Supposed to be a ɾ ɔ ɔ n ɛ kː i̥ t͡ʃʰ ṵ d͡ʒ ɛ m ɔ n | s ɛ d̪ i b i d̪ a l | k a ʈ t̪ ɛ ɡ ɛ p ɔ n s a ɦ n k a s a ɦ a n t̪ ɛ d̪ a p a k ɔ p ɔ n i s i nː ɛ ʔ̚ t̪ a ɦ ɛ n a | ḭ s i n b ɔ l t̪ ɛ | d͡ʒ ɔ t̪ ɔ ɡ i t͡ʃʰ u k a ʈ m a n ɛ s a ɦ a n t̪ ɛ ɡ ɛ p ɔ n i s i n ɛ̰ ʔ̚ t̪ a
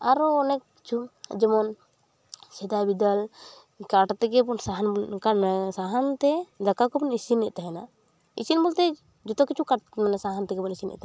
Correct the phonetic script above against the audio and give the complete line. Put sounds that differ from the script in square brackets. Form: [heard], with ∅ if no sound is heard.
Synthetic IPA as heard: a ɾ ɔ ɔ n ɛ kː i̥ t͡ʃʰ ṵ d͡ʒ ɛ m ɔ n | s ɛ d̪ [a] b i d̪ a l | k a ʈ t̪ ɛ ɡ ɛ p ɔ n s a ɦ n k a s a ɦ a n t̪ ɛ d̪ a [k] a k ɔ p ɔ n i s i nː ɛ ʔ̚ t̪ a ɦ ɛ n a | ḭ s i n b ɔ l t̪ ɛ | d͡ʒ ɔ t̪ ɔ [k] i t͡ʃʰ u k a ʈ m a n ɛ s a ɦ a n t̪ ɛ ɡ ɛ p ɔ n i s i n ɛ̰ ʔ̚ t̪ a